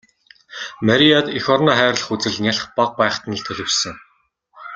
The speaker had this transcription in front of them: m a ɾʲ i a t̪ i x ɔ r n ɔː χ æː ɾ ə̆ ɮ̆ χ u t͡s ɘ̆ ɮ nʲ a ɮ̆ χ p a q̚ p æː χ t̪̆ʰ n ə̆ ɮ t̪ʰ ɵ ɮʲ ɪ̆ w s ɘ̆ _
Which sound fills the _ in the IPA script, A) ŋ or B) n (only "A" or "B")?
A